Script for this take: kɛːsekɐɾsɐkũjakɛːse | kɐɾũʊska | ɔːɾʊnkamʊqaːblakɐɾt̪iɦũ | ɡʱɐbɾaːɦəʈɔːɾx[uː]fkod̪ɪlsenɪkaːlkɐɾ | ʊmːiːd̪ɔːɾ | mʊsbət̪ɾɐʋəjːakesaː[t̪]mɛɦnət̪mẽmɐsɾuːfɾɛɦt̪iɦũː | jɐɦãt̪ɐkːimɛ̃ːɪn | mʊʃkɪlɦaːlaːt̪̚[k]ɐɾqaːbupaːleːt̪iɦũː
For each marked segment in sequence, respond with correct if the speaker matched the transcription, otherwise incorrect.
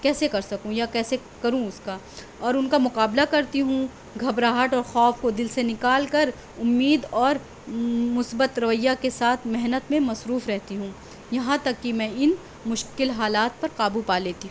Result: incorrect: ɔː, incorrect: t̪ʰ, incorrect: p

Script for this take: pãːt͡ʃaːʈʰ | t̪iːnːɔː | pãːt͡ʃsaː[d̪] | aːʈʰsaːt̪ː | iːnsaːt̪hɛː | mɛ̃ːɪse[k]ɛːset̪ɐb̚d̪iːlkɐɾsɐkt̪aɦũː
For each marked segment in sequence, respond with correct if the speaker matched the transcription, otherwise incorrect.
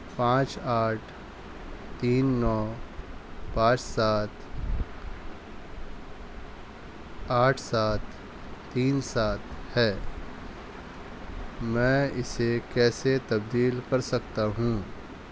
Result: incorrect: t̪, correct

